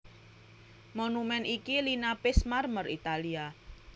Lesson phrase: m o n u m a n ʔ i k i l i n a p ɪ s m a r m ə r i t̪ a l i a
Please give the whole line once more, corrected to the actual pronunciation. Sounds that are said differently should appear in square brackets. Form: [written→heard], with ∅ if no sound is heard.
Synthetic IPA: m o n u m [a→ɛ] n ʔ i k i l i n a p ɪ s m a r m ə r i t̪ a l i a